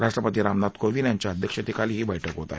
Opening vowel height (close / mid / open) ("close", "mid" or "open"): open